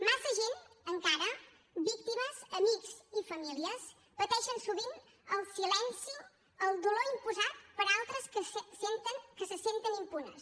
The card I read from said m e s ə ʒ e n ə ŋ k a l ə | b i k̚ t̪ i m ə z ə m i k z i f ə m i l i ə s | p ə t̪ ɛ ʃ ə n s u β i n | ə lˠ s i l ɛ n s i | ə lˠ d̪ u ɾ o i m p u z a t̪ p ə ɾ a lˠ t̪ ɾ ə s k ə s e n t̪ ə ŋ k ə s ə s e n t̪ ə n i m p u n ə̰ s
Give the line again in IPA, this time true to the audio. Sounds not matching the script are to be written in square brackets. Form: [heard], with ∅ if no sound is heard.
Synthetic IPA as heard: m [a] s ə ʒ e n ə ŋ k a [ɾ] ə | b i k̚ t̪ i m ə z ə m i k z i f ə m i l i ə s | p ə t̪ ɛ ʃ ə n s u β i n | ə lˠ s i l ɛ n s i | ə lˠ d̪ u [l] o i m p u z a t̪ p ə ɾ a lˠ t̪ ɾ ə s k ə s e n t̪ ə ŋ k ə s ə s e n t̪ ə n i m p u n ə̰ s